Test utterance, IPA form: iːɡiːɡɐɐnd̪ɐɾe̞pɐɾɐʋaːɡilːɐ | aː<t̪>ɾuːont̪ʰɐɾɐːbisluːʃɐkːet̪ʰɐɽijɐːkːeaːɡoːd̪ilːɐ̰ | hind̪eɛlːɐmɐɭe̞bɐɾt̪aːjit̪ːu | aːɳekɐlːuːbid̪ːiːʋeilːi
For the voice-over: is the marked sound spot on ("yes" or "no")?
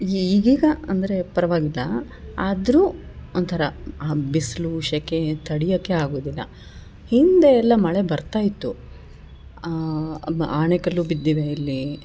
no